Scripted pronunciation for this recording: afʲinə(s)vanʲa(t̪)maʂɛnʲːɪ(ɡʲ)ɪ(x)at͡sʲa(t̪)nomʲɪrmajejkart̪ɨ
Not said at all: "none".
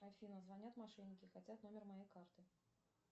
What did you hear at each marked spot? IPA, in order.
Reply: z, t̪, kʲ, x, t̪

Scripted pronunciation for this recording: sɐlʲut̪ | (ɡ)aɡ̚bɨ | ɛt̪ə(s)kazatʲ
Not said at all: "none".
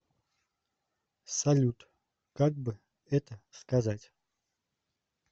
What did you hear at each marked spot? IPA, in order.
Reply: k, s

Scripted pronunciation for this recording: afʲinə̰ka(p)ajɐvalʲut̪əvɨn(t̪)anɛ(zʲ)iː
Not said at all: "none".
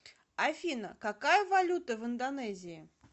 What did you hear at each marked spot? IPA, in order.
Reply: k, d̪, zʲ

